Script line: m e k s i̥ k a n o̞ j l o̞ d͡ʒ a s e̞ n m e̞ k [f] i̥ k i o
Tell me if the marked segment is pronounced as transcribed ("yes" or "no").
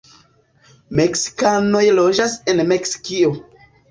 no